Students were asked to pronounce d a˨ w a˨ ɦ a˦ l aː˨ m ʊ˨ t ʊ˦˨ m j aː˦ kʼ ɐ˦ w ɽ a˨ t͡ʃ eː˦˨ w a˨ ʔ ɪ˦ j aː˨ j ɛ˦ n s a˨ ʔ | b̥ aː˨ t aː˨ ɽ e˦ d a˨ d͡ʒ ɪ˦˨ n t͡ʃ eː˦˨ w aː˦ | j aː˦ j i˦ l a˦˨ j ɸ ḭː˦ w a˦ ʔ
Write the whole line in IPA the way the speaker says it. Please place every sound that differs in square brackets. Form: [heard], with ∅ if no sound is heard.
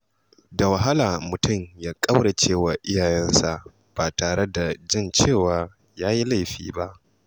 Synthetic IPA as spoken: d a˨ w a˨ ɦ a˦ l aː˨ m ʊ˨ t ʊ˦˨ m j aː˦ kʼ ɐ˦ w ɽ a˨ t͡ʃ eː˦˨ w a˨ ʔ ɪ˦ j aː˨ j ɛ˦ n s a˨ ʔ | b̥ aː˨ t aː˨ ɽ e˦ d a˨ d͡ʒ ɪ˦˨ n t͡ʃ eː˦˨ w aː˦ | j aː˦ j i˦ l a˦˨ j ɸ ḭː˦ [b] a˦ ʔ